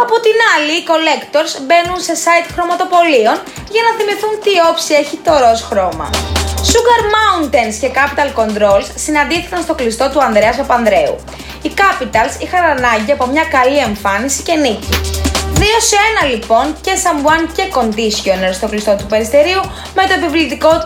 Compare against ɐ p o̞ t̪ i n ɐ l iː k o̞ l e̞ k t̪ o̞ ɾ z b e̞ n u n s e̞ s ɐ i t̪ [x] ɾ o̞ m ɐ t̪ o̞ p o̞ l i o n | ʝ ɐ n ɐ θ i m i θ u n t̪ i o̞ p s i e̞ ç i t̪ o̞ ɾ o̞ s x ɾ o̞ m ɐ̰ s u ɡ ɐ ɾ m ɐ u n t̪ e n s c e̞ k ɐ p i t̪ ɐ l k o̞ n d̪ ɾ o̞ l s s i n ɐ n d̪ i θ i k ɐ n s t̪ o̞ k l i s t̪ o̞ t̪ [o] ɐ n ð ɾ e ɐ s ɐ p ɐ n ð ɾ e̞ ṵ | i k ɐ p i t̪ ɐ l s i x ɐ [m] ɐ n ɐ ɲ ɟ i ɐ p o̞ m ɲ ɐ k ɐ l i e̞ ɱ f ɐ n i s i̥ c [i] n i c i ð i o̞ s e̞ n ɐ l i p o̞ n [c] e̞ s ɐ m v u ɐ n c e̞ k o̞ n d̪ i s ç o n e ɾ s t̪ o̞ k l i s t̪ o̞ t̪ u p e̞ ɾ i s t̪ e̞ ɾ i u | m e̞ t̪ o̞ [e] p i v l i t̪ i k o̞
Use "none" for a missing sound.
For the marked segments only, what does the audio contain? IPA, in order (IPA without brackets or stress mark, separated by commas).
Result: x, u, n, e, c, e